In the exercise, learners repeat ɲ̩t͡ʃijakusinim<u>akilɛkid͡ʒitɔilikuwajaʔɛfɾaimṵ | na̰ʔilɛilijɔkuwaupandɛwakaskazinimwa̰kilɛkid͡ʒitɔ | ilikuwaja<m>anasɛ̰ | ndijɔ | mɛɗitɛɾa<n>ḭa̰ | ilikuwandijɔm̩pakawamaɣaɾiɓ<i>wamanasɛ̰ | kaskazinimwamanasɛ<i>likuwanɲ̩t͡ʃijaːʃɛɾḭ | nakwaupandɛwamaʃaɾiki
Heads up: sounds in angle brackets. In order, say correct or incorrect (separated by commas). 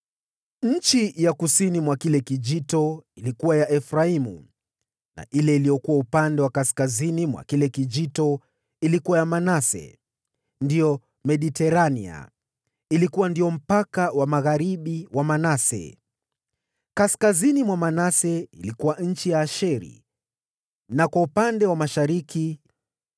incorrect, correct, correct, correct, correct